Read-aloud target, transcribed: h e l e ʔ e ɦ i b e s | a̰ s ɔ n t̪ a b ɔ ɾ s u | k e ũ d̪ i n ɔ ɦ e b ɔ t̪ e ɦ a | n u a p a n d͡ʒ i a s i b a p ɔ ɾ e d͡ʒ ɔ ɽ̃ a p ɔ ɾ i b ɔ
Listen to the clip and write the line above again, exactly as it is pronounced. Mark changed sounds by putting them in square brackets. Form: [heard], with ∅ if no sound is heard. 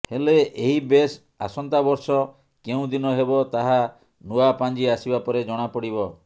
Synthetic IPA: h e l e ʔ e ɦ i b e s | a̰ s ɔ n t̪ a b ɔ ɾ s [ɔ] | k e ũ d̪ i n ɔ ɦ e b ɔ t̪ [a] ɦ a | n u a p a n d͡ʒ i a s i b a p ɔ ɾ e d͡ʒ ɔ ɽ̃ a p ɔ [ɽ] i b ɔ